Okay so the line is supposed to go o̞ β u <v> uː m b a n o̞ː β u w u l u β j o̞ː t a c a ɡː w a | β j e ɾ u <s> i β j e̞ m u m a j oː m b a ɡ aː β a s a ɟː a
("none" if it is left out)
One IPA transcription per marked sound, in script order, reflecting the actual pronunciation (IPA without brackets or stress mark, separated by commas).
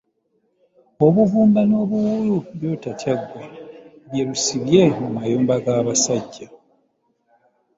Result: v, s